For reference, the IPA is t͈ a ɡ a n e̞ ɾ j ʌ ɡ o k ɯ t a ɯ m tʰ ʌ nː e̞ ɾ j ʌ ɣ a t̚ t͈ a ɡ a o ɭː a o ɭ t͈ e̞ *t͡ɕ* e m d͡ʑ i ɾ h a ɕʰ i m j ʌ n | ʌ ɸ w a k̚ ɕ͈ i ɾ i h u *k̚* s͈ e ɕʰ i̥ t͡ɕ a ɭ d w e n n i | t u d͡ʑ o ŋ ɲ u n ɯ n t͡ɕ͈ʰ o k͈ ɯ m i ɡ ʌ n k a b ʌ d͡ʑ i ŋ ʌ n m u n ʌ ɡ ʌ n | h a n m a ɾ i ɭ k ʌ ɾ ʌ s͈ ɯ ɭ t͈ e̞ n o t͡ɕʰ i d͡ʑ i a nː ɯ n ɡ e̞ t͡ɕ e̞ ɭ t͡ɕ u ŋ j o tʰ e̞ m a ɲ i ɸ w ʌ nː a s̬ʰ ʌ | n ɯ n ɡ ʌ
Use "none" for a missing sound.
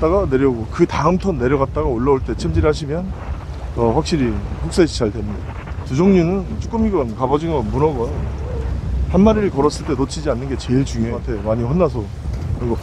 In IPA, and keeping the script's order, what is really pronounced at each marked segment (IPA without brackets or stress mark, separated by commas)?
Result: t͡ɕʰ, k̚